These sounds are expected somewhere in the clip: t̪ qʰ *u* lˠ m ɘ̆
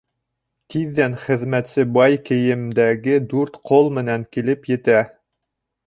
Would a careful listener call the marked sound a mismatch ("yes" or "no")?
yes